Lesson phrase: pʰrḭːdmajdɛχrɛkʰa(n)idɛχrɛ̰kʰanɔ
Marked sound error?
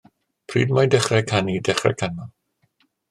no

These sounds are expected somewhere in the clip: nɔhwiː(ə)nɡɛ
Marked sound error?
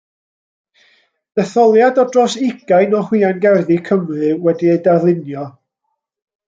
yes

